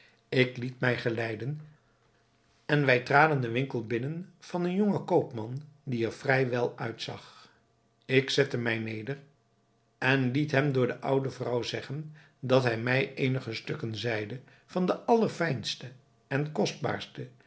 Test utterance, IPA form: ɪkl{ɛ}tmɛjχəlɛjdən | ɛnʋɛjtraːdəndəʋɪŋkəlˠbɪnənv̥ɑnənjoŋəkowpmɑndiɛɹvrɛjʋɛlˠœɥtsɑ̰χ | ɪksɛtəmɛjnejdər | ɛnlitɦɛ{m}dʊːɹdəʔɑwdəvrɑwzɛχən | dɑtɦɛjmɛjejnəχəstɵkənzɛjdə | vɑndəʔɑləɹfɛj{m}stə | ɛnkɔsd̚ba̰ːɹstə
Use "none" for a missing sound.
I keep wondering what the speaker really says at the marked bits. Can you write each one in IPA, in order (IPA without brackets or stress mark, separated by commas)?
i, m, n